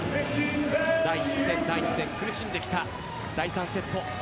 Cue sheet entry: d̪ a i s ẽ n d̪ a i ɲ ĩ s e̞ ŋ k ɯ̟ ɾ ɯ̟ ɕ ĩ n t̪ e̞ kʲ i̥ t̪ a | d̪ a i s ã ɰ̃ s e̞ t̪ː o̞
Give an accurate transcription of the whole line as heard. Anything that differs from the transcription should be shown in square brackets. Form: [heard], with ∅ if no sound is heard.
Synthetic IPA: d̪ a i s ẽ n d̪ a i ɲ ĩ s [ẽ̞] ŋ k ɯ̟ ɾ ɯ̟ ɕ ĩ n [d̪] e̞ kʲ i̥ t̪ a | d̪ a i s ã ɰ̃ s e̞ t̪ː o̞